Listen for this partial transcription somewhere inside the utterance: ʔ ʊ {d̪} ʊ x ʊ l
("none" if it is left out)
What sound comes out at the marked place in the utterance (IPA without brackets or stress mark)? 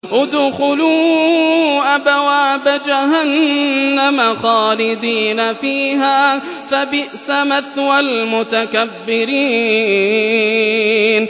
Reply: d̪